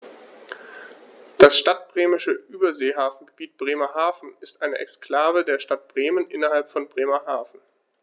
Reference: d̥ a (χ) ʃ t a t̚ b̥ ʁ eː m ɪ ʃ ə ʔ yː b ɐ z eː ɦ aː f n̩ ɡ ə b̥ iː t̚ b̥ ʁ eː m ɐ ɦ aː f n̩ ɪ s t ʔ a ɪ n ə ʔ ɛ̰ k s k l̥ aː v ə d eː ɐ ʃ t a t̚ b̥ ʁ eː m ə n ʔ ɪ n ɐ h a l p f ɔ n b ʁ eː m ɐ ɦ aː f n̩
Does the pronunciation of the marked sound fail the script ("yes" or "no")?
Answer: yes